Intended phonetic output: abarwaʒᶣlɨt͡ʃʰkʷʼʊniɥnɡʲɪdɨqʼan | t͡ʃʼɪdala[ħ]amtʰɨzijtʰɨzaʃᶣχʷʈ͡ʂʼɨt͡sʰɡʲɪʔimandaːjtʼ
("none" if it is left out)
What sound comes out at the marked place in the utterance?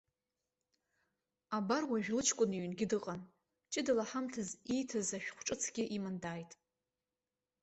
ħ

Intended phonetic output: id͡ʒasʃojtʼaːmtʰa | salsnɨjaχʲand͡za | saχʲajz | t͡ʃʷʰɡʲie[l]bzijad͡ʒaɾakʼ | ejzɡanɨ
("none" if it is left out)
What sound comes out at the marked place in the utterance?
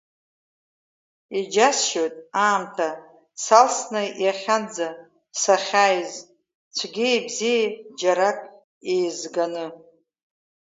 none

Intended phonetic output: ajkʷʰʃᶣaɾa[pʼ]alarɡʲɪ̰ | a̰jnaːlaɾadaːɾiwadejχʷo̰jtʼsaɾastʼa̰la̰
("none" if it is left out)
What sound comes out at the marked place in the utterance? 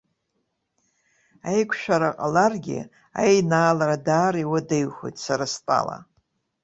qʼ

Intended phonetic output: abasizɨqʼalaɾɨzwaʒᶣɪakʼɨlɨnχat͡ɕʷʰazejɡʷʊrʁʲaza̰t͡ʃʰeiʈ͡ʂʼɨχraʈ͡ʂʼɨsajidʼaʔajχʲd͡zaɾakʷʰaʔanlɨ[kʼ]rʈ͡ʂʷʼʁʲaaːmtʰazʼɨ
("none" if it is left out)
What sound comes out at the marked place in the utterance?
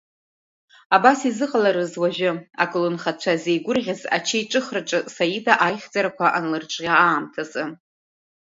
none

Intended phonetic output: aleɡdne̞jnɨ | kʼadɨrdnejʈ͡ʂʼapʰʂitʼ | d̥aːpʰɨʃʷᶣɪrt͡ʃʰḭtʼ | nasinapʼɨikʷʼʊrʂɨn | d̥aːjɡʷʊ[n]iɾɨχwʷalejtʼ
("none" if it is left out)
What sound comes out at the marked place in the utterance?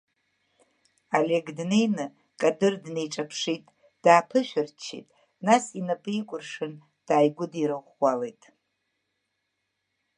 d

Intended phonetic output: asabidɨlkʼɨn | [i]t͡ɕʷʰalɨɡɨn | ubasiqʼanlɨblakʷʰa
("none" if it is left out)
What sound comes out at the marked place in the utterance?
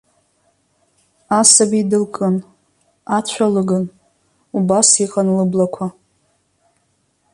a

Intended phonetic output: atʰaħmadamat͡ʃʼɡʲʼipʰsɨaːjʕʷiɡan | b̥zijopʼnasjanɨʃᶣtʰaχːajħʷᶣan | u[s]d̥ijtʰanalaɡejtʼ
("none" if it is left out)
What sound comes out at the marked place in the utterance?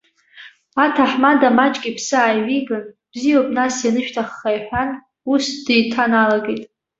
s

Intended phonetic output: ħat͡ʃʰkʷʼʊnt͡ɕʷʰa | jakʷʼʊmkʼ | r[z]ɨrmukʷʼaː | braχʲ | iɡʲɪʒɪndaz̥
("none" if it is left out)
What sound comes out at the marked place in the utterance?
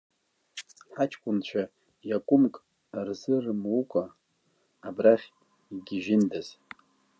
z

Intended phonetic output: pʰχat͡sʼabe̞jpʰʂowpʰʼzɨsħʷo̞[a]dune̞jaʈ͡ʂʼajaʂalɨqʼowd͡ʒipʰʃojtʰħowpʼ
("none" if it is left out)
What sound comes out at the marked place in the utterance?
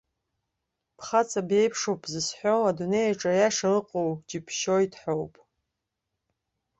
a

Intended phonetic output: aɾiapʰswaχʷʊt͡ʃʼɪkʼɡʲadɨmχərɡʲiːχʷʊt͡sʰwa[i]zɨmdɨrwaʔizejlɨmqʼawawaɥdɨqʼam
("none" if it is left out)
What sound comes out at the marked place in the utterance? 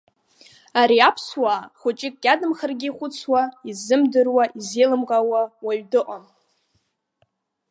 i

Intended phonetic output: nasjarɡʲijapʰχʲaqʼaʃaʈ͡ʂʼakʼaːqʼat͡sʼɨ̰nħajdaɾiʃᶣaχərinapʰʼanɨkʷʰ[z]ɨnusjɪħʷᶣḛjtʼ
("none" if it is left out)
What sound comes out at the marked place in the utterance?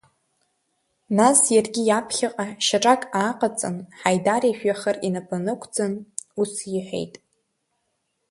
d͡z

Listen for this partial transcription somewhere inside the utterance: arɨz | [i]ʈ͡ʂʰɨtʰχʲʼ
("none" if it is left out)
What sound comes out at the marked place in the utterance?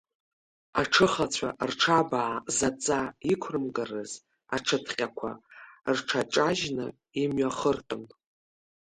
a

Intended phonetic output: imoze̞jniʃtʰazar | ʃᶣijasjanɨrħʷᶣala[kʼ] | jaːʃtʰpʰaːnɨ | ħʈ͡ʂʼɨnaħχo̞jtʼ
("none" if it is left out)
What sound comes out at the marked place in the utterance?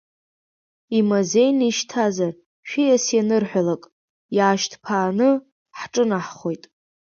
kʼ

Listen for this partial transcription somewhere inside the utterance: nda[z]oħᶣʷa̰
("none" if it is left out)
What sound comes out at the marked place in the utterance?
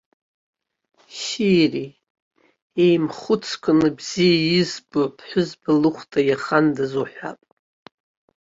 z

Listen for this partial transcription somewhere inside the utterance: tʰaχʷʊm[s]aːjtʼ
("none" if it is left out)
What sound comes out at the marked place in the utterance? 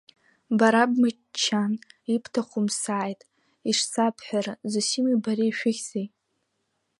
s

